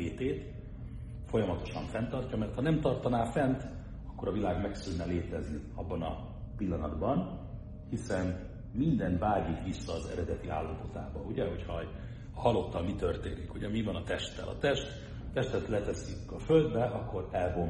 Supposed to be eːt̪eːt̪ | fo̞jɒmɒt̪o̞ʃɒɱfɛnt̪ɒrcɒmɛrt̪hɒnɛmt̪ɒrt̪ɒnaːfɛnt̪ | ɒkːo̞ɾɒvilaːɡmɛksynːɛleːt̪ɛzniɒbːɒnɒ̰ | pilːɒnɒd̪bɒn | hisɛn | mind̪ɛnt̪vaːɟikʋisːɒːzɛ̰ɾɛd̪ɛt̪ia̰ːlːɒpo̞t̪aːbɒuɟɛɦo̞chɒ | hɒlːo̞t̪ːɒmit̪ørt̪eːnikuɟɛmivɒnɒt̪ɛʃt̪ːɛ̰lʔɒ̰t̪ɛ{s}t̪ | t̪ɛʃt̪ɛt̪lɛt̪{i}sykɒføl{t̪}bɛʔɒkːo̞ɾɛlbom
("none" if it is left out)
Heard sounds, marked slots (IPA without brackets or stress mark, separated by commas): ʃ, ɛ, d̪